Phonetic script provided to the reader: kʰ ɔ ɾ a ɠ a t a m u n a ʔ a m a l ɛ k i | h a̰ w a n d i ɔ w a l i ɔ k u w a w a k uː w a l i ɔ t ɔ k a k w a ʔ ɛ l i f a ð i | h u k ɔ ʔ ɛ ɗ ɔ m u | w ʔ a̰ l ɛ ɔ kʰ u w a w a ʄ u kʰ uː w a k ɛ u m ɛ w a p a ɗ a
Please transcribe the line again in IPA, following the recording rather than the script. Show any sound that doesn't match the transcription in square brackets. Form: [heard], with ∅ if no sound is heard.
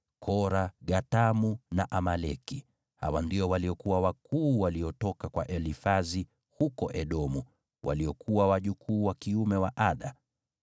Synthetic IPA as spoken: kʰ ɔ ɾ a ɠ a t a m u n a ʔ a m a l ɛ k i | h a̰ w a n d i ɔ w a l i ɔ k u w a w a k uː w a l i ɔ t ɔ k a k w a ʔ ɛ l i f a [z] i | h u k ɔ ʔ ɛ ɗ ɔ m u | w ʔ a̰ l [i] ɔ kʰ u w a w a ʄ u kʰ uː w a k [i] u m ɛ w a [ʔ] a ɗ a

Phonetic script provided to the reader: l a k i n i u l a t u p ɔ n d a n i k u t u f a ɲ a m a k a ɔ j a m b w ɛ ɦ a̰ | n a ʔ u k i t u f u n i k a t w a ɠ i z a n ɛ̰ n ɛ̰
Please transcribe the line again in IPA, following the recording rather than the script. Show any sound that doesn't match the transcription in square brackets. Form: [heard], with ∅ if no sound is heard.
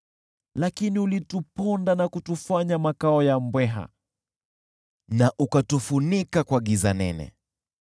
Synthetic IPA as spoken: l a k i n i u l [i] t u p ɔ n d a n [a] k u t u f a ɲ a m a k a ɔ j a m b w ɛ ɦ a̰ | n a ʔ u k [a] t u f u n i k a [k] w a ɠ i z a n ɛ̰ n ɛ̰

